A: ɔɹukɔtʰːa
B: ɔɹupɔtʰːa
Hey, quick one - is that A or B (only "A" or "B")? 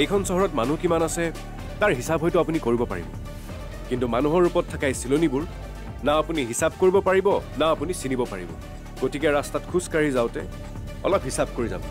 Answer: B